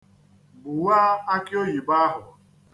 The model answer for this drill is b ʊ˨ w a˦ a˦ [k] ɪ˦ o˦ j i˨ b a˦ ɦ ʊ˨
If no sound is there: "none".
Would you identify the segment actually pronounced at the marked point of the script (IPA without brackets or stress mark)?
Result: k